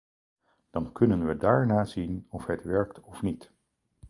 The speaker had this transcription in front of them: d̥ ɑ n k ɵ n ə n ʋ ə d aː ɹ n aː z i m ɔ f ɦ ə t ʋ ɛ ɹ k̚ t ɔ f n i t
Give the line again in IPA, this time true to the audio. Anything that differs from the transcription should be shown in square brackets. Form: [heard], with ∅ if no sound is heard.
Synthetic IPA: d̥ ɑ n k ɵ n ə n ʋ ə d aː ɹ n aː z i [n] ɔ f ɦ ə t ʋ ɛ ɹ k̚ t ɔ f n i t